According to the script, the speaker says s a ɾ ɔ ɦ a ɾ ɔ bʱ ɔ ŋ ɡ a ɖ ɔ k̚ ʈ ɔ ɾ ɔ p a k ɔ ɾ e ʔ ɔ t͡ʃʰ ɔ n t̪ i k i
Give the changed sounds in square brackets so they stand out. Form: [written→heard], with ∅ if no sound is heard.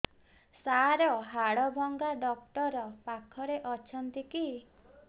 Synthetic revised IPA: s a ɾ ɔ ɦ a [ɾ→ɽ] ɔ bʱ ɔ ŋ ɡ a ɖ ɔ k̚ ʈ ɔ ɾ ɔ p a [k→kʰ] ɔ ɾ e ʔ ɔ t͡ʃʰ ɔ n t̪ i k i